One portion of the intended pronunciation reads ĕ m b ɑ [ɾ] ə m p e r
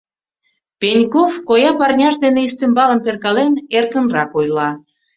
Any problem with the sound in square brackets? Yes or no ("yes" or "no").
yes